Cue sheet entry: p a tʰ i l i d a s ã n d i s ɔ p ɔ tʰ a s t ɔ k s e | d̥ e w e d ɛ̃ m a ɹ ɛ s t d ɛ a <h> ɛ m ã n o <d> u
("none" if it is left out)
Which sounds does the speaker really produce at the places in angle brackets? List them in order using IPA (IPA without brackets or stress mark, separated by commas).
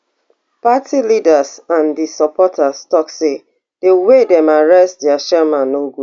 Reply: ʃ, ɡ